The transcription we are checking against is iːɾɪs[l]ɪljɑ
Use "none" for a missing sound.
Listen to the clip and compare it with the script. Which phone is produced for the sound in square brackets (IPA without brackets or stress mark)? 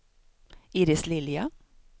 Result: l